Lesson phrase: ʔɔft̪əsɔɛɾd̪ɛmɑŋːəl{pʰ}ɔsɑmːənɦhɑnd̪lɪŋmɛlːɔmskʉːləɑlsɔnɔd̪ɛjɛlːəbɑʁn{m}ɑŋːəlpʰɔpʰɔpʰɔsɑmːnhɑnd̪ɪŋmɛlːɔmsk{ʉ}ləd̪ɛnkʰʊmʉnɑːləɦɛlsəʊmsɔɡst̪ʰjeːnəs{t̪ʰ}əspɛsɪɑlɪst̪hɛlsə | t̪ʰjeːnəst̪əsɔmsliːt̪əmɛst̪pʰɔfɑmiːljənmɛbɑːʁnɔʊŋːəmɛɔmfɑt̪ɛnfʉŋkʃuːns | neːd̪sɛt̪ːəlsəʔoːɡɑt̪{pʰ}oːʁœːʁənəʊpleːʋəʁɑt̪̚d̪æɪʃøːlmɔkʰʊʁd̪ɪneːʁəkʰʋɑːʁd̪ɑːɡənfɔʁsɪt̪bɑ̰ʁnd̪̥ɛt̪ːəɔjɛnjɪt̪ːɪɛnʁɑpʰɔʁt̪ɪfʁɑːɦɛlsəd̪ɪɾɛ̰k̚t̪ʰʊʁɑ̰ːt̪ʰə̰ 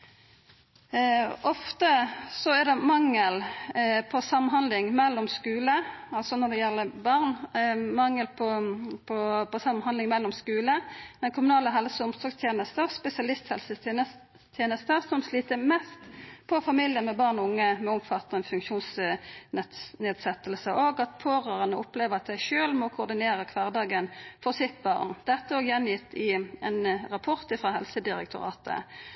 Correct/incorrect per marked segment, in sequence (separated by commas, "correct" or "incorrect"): correct, correct, incorrect, incorrect, correct